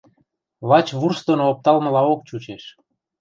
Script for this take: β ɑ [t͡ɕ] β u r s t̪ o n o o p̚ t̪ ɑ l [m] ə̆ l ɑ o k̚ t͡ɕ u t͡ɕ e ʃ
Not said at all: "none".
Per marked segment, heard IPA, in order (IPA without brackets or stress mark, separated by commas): t͡ɕ, m